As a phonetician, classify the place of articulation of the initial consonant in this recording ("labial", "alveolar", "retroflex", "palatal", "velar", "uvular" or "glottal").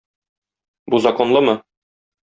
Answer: labial